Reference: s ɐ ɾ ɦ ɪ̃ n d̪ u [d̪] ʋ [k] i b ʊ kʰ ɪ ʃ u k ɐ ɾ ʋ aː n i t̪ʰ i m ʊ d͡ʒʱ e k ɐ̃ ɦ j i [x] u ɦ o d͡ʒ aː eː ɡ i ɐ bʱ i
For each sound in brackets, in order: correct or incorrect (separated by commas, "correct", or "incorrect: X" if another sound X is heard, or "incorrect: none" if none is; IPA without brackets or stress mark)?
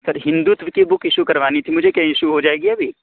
incorrect: t̪, correct, incorrect: ʃ